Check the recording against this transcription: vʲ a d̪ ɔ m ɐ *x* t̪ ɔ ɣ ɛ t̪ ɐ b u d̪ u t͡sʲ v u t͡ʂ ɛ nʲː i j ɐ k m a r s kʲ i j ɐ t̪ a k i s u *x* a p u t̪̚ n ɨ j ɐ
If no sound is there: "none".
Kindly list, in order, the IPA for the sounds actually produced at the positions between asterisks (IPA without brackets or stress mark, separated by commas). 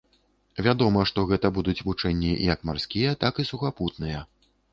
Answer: ʂ, x